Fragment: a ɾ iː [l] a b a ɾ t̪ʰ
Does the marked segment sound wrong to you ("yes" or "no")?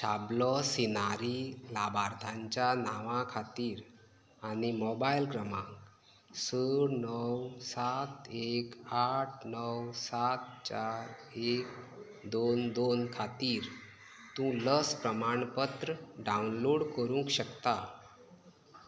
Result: no